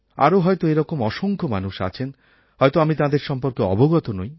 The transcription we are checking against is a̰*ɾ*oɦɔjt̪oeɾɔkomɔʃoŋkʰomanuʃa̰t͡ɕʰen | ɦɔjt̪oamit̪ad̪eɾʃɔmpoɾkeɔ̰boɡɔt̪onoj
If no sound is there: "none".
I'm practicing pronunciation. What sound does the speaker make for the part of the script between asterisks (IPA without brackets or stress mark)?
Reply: ɾ